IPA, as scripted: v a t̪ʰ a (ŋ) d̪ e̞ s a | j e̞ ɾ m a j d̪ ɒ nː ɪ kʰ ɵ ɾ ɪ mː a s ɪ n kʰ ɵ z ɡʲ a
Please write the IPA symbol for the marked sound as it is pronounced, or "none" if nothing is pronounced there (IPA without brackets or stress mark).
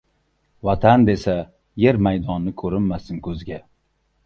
n